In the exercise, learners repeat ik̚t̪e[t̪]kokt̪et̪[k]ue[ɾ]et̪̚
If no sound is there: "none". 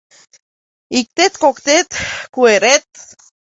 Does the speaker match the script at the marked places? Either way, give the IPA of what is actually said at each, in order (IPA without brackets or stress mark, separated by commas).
t̪, k, ɾ